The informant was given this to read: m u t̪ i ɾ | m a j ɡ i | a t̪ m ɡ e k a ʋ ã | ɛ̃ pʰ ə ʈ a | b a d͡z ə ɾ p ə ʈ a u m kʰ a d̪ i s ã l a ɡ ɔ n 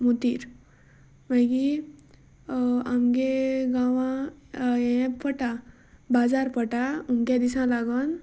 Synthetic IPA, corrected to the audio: m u t̪ i ɾ | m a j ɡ i | a m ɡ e ɡ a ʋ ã | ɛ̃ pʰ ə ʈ a | b a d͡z a ɾ p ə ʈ a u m k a d̪ i s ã l a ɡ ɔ n